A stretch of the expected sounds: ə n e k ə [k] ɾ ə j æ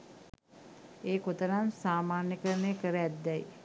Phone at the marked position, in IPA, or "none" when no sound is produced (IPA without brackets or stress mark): none